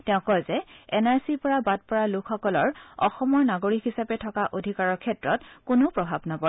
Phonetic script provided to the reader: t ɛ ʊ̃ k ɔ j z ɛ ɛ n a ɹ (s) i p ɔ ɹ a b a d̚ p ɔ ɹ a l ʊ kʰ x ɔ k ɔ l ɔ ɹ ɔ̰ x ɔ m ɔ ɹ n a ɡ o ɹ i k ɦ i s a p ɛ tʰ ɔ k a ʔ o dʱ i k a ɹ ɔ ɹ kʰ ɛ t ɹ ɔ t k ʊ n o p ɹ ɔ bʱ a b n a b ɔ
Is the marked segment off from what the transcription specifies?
no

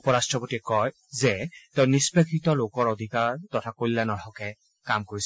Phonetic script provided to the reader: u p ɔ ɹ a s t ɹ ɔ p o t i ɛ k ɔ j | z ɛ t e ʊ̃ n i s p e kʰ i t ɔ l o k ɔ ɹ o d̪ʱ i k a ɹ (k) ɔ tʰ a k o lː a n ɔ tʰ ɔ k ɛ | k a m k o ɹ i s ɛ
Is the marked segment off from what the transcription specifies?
yes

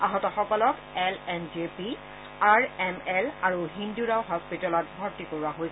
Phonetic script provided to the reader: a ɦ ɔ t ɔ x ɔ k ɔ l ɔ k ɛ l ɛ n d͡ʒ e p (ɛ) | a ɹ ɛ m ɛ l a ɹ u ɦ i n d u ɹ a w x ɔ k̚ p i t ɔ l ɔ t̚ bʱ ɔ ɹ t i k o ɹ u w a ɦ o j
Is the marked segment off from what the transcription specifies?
yes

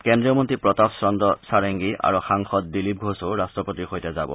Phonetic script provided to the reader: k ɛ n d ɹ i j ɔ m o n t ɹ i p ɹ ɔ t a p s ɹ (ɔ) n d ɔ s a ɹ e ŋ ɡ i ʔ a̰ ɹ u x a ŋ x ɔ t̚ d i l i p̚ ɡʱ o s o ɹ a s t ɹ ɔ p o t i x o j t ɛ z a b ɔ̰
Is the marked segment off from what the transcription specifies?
no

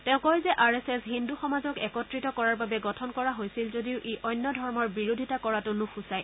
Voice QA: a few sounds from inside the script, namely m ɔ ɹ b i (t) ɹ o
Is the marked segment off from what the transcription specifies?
yes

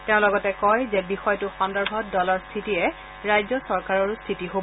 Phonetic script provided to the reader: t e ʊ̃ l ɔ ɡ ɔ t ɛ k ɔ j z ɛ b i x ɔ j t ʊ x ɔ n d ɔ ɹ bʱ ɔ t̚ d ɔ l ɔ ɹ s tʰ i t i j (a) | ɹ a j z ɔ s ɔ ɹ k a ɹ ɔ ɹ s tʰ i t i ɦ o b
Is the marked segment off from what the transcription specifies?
yes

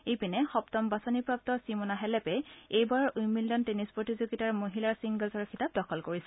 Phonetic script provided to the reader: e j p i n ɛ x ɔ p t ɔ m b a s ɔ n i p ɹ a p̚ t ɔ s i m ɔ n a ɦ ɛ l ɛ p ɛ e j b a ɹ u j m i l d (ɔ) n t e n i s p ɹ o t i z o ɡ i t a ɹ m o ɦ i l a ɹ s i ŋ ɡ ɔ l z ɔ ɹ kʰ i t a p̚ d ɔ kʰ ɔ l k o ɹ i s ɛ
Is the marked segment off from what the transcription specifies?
no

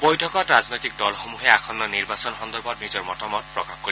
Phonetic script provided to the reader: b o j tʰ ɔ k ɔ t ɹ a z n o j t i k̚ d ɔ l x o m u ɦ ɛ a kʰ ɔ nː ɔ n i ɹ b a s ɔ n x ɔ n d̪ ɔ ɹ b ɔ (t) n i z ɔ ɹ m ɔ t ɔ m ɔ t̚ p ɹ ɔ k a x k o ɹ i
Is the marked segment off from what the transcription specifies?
no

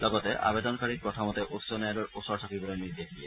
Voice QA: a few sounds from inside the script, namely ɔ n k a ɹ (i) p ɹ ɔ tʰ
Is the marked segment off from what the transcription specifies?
no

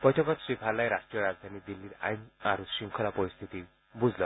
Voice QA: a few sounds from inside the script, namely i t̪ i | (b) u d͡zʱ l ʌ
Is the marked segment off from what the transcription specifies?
no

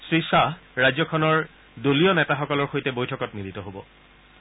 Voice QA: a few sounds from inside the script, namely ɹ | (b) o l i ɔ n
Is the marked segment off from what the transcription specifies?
yes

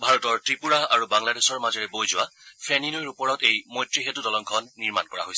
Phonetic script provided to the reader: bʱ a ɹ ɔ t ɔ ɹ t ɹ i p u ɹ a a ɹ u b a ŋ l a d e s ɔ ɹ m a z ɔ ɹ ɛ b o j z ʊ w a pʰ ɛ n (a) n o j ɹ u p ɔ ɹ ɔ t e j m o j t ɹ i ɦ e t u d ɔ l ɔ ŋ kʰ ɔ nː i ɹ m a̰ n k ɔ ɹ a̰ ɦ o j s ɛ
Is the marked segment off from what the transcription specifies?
yes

